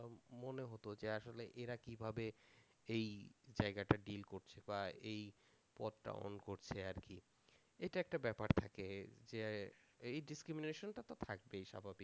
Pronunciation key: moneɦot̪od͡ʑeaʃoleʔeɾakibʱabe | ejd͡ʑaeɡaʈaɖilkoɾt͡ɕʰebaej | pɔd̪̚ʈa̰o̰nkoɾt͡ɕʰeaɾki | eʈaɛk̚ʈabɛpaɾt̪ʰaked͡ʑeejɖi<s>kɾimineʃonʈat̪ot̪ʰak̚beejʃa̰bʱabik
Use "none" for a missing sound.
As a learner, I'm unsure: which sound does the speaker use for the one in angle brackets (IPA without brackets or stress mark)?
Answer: s